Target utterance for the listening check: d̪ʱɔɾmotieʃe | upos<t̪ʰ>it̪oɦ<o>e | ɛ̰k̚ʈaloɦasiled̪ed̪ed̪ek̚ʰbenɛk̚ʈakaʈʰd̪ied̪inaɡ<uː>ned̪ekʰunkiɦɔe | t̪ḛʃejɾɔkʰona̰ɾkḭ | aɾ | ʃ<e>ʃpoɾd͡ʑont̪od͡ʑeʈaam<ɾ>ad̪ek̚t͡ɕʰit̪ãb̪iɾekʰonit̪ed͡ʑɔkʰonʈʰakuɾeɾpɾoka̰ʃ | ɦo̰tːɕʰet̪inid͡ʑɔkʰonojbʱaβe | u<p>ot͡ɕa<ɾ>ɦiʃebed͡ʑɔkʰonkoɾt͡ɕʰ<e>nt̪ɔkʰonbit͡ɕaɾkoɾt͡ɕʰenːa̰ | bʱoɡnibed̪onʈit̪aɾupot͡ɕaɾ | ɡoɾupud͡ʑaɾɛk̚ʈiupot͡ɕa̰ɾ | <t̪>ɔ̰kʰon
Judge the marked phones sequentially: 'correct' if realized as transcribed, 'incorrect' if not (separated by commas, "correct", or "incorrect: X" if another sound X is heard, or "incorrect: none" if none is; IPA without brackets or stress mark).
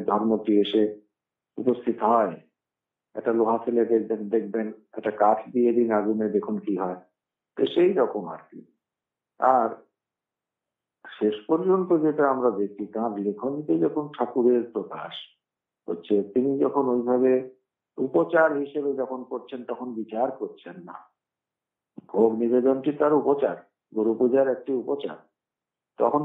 correct, incorrect: ɔ, incorrect: u, correct, correct, correct, correct, correct, correct